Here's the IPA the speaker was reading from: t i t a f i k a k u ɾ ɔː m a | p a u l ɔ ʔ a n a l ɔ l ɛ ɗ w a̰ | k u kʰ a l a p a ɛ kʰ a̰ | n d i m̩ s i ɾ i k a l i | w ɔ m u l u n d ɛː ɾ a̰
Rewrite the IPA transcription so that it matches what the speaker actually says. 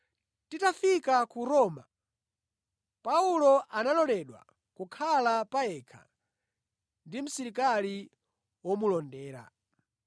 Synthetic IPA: t i t a f i k a k u ɾ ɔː m a | p a u l ɔ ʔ a n a l ɔ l ɛ ɗ w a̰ | k u kʰ a l a p a ɛ kʰ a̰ | n d i m̩ s i ɾ i k a l i | w ɔ m u l ɔ n d ɛː ɾ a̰